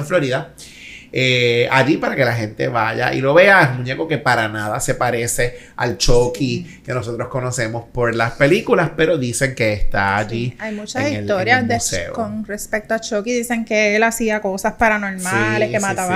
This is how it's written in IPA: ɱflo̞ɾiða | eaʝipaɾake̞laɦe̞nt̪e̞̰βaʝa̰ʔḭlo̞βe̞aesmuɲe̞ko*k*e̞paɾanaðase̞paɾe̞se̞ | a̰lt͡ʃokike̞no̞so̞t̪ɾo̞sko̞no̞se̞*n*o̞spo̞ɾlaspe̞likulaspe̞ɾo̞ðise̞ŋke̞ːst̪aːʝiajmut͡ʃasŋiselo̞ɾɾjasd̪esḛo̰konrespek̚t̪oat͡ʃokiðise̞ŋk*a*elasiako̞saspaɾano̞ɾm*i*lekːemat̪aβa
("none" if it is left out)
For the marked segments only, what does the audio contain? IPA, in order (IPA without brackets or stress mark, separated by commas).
k, m, e, a